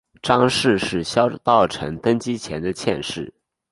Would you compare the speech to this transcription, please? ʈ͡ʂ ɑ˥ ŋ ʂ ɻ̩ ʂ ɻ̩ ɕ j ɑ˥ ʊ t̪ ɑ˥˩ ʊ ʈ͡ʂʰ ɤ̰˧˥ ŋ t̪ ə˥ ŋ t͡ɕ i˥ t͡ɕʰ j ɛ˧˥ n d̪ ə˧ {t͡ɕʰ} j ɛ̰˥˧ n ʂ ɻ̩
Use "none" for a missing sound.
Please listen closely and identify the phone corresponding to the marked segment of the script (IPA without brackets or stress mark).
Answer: t͡ɕʰ